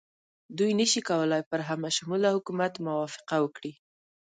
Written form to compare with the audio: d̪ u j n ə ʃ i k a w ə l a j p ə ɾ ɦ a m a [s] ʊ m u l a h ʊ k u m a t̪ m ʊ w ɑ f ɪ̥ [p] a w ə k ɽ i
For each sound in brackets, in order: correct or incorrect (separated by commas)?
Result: incorrect, incorrect